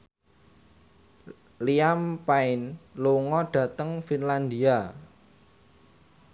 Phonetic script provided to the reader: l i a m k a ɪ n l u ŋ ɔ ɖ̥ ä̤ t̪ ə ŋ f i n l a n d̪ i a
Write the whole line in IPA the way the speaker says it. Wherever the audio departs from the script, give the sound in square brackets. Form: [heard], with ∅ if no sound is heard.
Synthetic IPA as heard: l i a m [p] a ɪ n l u ŋ ɔ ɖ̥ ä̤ t̪ ə ŋ f i n l a n d̪ i a